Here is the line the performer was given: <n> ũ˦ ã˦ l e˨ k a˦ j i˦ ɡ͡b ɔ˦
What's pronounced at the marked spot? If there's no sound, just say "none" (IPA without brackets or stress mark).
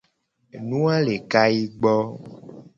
n